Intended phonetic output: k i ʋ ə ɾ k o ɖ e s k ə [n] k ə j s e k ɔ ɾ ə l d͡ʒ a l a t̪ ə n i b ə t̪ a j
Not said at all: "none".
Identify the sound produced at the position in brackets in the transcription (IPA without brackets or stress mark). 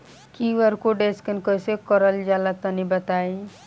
n